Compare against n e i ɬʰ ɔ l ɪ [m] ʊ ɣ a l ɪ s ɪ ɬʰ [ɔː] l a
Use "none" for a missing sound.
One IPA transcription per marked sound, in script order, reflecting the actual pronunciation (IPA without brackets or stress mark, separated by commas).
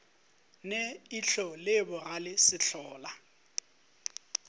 b, ɔː